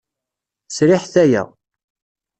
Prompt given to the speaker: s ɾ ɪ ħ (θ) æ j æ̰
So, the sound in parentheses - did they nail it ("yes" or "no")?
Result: yes